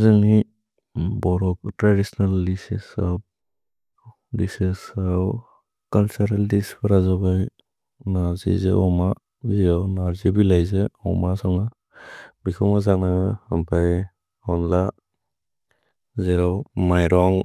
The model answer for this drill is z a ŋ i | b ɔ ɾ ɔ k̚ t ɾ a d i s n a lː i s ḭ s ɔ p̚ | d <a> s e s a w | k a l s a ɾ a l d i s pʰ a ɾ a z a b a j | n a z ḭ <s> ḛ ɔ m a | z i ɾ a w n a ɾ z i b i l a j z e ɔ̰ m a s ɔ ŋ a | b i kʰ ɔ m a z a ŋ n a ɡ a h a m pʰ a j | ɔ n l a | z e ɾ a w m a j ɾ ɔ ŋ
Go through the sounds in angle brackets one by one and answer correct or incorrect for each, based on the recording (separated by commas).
incorrect, incorrect